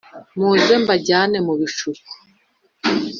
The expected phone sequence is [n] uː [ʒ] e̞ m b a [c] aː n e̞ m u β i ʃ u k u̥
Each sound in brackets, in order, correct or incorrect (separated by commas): incorrect, incorrect, incorrect